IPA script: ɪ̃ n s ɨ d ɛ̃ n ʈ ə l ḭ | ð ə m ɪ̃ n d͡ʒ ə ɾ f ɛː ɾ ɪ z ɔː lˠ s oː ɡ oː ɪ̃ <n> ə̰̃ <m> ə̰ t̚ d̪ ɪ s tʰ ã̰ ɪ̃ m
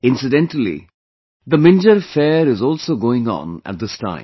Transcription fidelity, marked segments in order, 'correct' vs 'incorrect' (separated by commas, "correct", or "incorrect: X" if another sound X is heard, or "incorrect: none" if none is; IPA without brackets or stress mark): incorrect: ŋ, incorrect: n